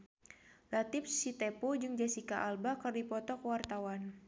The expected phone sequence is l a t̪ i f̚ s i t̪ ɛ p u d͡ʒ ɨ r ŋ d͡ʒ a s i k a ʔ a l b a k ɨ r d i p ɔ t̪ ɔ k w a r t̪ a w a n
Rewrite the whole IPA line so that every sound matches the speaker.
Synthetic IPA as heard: l a t̪ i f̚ s i t̪ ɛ p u d͡ʒ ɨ ŋ d͡ʒ a s i k a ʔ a l b a k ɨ r d i p ɔ t̪ ɔ k w a r t̪ a w a n

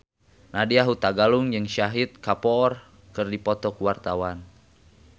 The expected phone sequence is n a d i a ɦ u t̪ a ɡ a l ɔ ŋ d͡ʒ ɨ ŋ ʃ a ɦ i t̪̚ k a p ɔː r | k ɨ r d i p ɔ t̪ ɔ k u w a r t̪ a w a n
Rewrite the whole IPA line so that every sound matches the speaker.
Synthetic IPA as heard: n a d i a ɦ u t̪ a ɡ a l u ŋ d͡ʒ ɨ ŋ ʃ a ɦ i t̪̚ k a p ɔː r | k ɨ r d i p ɔ t̪ ɔ k u w a r t̪ a w a n

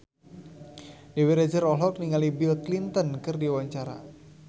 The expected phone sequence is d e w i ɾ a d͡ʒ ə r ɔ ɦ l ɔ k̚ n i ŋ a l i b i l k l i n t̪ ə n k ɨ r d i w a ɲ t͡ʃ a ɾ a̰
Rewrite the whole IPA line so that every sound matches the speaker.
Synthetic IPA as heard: d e w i ɾ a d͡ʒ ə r ɔ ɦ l ɔ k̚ n i ŋ a l i b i l k l i n t̪ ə n k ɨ r d i w a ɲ t͡ʃ a ɾ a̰

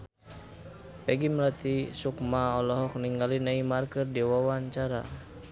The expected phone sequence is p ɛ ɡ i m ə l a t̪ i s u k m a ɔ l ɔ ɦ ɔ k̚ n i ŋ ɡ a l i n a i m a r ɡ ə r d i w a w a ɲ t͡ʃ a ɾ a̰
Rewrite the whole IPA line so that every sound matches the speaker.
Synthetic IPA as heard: p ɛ ɡ i m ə l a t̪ i s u k m a ɔ l ɔ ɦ ɔ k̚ n i ŋ ɡ a l i n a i m a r k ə r d i w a w a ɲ t͡ʃ a ɾ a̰

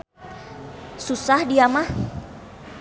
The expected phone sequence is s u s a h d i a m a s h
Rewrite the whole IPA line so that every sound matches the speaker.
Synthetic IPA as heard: s u s a h d i a m a h

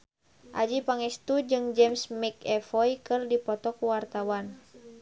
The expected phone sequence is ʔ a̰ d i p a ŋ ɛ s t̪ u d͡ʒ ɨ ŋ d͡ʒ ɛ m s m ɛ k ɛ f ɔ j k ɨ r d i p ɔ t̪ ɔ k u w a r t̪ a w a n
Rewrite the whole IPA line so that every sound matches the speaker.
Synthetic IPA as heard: ʔ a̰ d͡ʒ i p a ŋ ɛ s t̪ u d͡ʒ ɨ ŋ d͡ʒ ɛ m s m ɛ k ɛ f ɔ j k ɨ r d i p ɔ t̪ ɔ k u w a r t̪ a w a n

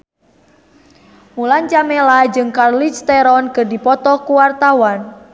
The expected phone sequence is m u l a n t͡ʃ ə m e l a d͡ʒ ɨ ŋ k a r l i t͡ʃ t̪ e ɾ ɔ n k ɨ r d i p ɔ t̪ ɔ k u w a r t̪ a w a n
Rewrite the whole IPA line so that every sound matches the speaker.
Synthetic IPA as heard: m u l a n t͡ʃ a m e l a d͡ʒ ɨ ŋ k a r l i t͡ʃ t̪ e ɾ ɔ n k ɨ r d i p ɔ t̪ ɔ k u w a r t̪ a w a n

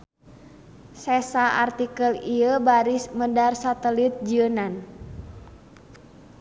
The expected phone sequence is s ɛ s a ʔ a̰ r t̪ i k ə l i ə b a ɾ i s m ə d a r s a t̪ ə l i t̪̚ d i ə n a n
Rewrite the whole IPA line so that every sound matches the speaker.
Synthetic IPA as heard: s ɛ s a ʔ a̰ r t̪ i k ə l i ə b a ɾ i s m ə d a r s a t̪ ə l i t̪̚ d͡ʒ i ə n a n

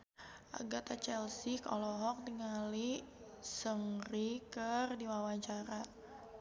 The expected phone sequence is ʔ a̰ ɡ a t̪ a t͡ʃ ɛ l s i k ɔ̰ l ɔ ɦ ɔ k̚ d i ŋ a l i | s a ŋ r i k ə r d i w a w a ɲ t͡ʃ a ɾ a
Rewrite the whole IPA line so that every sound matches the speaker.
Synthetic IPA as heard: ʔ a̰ ɡ a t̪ a t͡ʃ ɛ l s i k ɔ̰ l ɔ ɦ ɔ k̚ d i ŋ a l i | s ə ŋ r i k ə r d i w a w a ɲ t͡ʃ a ɾ a

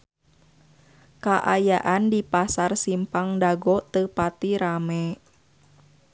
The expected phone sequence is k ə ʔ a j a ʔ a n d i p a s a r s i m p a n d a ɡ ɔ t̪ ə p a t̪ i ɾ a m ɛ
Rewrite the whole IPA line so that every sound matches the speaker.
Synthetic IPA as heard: k a ʔ a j a ʔ a n d i p a s a r s i m p a ŋ d a ɡ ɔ t̪ ə p a t̪ i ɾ a m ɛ

